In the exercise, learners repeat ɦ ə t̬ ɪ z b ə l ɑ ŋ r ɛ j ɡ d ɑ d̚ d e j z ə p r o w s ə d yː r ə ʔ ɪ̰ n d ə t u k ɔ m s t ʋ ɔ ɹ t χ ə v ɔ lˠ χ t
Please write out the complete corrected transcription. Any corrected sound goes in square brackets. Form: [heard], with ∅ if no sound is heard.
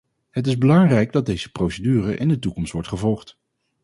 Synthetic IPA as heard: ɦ ə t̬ ɪ z b ə l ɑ ŋ r ɛ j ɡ d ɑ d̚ d e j z ə p r o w s ə d yː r ə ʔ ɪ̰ n d ə t u k ɔ m s t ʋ ɔ ɹ t χ ə v ɔ lˠ χ t